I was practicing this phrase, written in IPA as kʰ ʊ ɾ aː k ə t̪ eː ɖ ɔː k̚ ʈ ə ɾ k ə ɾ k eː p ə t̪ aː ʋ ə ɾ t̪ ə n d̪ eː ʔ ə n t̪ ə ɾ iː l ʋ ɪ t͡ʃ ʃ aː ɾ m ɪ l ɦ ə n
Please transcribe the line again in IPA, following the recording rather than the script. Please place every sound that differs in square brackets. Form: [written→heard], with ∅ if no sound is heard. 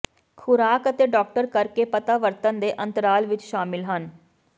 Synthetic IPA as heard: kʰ ʊ ɾ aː k ə t̪ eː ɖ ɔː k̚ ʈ ə ɾ k ə ɾ k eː p ə t̪ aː ʋ ə ɾ t̪ ə n d̪ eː ʔ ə n t̪ ə ɾ [iː→aː] l ʋ ɪ t͡ʃ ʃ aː [ɾ→∅] m ɪ l ɦ ə n